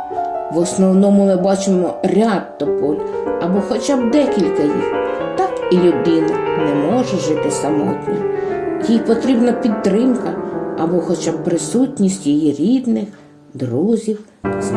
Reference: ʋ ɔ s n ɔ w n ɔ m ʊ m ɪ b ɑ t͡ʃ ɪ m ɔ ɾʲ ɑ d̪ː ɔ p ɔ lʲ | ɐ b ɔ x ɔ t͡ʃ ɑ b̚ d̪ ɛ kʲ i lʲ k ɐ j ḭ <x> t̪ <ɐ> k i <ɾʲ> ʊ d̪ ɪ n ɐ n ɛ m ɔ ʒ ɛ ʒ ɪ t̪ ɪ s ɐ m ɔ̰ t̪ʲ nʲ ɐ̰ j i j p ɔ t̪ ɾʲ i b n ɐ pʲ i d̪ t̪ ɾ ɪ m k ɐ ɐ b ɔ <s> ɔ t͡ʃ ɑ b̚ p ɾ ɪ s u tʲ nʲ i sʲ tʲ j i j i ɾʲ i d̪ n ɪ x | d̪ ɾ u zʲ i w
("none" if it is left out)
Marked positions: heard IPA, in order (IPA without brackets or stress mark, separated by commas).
x, ɑ, lʲ, x